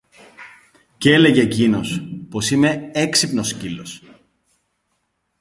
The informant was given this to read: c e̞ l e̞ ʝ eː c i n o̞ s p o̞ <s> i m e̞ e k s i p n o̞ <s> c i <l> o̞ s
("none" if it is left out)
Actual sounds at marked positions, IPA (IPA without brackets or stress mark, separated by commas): s, s, l